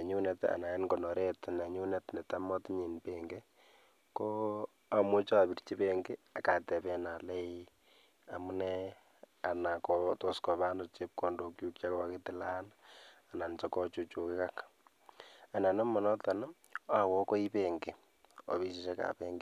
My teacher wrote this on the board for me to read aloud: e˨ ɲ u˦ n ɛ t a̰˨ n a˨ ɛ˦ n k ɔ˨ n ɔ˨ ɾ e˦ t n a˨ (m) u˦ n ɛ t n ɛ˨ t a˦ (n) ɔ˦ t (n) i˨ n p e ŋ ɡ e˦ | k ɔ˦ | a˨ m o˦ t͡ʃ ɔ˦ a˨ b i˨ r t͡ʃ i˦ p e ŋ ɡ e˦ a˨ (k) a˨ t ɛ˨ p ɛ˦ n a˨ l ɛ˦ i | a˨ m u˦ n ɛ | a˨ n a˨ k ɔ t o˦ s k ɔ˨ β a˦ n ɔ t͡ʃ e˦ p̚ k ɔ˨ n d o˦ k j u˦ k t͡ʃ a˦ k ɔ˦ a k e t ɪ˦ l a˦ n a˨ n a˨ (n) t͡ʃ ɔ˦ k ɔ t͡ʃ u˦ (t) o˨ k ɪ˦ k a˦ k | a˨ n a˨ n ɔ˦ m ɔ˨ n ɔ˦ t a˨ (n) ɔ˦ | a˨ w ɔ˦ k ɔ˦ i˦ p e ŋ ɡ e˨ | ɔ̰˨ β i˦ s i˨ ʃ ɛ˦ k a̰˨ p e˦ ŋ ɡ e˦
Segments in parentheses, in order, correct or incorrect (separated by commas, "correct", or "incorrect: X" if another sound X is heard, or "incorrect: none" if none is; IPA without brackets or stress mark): incorrect: ɲ, incorrect: m, incorrect: ɲ, correct, correct, incorrect: t͡ʃ, correct